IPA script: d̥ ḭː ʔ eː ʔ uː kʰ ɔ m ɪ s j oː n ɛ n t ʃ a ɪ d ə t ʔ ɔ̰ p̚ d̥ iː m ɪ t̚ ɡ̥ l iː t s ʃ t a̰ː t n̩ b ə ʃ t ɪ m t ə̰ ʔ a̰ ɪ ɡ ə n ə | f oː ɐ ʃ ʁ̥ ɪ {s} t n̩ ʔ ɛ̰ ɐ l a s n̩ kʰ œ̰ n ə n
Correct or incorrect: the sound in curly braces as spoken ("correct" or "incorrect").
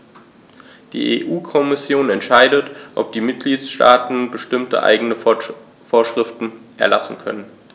incorrect